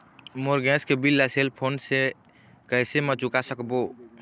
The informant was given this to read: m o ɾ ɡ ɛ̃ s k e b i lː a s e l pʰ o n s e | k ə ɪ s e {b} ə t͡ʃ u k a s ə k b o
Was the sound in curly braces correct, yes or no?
no